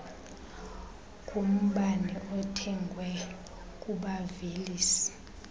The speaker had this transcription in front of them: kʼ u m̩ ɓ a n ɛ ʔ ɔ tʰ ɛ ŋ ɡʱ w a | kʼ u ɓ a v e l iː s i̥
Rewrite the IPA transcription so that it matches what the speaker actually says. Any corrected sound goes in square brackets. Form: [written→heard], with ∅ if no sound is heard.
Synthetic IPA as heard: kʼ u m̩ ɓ a n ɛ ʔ ɔ tʰ ɛ ŋ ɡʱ w [a→ɛ] | kʼ u ɓ a v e l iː s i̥